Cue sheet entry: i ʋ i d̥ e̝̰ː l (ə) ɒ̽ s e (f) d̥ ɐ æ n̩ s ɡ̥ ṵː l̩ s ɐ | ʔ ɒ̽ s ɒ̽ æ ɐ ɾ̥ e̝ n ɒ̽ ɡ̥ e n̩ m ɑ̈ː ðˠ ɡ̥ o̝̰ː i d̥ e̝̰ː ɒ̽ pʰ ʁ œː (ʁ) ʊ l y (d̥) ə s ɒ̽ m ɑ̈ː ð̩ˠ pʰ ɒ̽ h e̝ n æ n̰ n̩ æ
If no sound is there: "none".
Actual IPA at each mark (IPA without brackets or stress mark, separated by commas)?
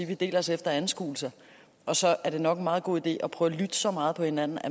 ɐ, f, none, d̥